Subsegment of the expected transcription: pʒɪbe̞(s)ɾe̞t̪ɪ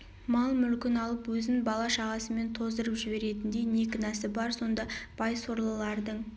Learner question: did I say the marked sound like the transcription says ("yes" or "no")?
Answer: no